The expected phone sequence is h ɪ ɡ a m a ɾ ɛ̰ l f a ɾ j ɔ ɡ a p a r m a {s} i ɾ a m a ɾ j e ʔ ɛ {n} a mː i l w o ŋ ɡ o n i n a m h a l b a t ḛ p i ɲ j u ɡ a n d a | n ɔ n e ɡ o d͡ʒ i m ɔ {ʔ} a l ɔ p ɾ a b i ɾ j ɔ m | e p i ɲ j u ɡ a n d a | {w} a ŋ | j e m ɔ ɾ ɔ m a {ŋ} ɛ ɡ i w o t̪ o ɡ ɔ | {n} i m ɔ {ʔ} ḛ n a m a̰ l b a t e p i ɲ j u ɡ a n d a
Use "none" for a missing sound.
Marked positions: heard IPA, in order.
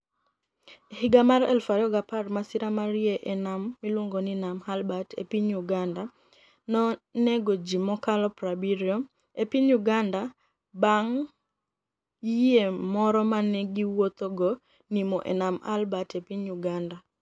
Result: s, n, k, b, n, n, ʔ

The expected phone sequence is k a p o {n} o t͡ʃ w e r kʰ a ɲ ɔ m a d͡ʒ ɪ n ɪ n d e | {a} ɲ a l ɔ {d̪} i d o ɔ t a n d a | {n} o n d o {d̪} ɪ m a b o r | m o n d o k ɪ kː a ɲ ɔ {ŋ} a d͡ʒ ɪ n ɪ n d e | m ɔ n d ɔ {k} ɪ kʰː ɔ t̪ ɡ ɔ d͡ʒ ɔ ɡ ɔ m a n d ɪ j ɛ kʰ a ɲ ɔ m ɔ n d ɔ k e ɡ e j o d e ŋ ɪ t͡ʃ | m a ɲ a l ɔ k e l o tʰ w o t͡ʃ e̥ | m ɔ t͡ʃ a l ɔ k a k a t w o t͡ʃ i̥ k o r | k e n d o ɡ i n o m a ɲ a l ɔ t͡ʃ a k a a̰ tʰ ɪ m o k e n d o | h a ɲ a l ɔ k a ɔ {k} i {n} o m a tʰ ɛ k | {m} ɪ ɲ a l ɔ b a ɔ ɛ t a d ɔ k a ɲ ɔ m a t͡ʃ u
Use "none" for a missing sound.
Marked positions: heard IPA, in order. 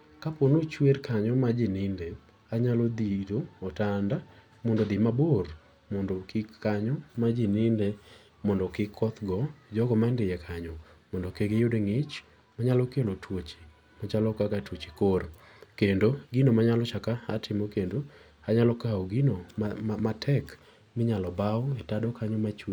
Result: n, a, d̪, m, d̪, m, k, ɡ, n, m

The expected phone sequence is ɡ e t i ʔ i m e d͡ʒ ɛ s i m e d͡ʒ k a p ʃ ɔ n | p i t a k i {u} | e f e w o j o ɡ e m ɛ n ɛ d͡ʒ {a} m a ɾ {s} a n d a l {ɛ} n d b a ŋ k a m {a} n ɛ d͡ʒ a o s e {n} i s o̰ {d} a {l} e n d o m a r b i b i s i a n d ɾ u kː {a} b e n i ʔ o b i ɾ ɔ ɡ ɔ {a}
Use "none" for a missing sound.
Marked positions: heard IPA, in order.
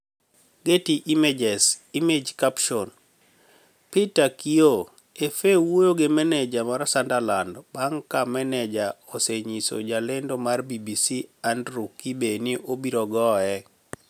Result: o, a, s, a, ɛ, ɲ, d͡ʒ, l, i, ɛ

